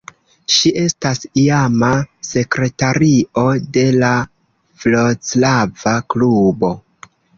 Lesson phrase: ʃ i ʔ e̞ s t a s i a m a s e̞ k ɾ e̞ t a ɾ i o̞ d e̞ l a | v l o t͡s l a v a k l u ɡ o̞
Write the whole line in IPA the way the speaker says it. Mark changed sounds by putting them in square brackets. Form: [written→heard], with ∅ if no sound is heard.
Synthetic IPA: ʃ i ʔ e̞ s t a s i a m a s e̞ k ɾ e̞ t a ɾ i o̞ d e̞ l a | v l o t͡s l a v a k l u [ɡ→b] o̞